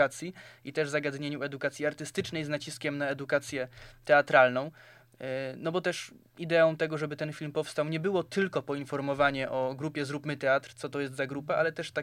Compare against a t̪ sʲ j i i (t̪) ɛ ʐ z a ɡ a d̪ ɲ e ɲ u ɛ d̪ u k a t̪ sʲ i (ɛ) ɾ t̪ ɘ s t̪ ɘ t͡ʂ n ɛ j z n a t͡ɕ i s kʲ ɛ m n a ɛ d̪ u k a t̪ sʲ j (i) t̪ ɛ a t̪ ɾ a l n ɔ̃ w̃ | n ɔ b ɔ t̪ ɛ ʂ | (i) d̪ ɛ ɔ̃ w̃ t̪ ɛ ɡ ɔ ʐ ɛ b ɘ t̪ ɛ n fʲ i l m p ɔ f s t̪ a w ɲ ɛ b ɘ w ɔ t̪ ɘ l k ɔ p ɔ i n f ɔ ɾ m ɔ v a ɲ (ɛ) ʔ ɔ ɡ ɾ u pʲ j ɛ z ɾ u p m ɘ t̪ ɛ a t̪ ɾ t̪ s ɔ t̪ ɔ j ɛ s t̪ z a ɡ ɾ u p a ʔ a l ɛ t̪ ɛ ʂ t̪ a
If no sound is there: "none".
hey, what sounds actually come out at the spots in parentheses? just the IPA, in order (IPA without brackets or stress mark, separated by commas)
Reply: t̪, a, ɛ, i, ɛ